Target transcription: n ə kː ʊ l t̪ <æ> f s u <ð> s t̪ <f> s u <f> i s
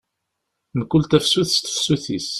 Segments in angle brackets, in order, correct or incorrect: correct, incorrect, correct, incorrect

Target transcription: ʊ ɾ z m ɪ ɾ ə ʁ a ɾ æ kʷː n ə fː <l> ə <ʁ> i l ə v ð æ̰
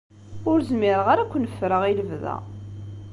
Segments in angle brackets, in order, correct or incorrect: incorrect, correct

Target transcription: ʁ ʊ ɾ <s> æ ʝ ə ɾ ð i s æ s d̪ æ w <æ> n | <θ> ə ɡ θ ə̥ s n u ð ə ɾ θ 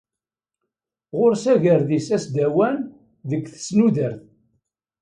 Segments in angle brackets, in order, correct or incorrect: correct, correct, incorrect

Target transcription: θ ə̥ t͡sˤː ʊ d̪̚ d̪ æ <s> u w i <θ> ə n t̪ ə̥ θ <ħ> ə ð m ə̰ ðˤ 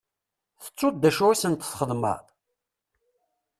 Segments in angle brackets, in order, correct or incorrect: incorrect, incorrect, incorrect

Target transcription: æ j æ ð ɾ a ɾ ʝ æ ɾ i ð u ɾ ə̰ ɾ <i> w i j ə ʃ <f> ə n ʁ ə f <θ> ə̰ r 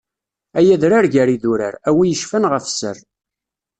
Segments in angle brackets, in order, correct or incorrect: incorrect, correct, incorrect

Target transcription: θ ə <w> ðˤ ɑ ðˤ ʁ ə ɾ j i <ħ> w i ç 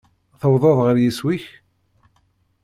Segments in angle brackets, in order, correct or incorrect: correct, incorrect

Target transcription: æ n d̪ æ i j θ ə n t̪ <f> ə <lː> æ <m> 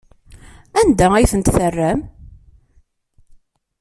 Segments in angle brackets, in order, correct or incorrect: incorrect, incorrect, correct

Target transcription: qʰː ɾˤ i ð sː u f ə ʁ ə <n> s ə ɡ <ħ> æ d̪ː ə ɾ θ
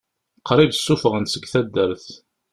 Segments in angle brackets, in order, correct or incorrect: correct, incorrect

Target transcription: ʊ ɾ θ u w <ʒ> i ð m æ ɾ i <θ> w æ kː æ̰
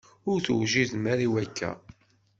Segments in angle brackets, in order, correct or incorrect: correct, incorrect

